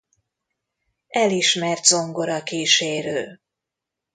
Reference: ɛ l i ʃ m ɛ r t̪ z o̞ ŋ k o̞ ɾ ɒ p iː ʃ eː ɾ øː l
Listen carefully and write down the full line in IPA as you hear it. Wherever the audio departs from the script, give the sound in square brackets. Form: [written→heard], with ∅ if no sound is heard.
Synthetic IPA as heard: ɛ l i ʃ m ɛ r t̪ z o̞ ŋ [k→ɡ] o̞ ɾ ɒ [p→k] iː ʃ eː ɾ øː l